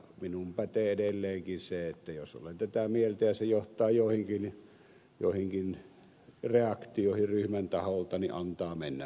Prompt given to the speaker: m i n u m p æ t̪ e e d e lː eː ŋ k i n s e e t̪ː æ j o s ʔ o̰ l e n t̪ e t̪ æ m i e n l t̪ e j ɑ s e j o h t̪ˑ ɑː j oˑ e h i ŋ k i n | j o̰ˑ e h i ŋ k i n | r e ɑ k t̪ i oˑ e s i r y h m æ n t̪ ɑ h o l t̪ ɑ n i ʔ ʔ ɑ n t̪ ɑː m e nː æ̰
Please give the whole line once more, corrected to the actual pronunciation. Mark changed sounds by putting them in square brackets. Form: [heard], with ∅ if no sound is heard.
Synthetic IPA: m i n u m p æ t̪ e e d e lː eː ŋ k i n s e e t̪ː æ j o s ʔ o̰ l e n t̪ [æ] t̪ æ m i e [∅] l t̪ [æ] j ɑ s e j o h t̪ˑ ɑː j oˑ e h i ŋ k i n | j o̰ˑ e h i ŋ k i n | r e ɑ k t̪ i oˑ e [h] i r y h m æ n t̪ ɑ h o l t̪ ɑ n i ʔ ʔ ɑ n t̪ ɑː m e nː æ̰